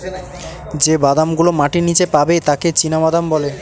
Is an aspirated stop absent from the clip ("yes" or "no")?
yes